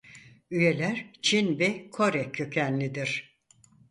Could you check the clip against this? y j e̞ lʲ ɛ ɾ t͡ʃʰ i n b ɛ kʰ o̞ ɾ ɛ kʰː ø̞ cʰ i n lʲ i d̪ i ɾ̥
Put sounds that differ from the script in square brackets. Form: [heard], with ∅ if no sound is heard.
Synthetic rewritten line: y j e̞ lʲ [æ] ɾ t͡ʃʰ i n b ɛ kʰ o̞ ɾ ɛ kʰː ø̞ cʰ [æ] n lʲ i d̪ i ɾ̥